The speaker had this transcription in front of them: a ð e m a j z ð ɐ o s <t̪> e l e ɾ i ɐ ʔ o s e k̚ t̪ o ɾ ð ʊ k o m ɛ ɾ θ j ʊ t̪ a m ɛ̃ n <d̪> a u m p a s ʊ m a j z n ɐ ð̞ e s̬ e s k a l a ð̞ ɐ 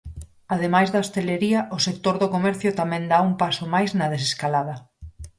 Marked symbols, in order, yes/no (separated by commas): yes, yes